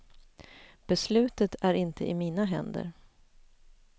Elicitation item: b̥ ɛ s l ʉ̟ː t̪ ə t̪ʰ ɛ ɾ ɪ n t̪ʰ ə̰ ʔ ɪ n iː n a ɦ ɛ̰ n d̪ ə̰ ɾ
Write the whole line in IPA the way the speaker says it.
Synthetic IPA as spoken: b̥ ɛ s l ʉ̟ː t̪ ə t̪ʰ æ ɾ ɪ n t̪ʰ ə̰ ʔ ɪ m iː n a ɦ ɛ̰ n d̪ ə̰ ɾ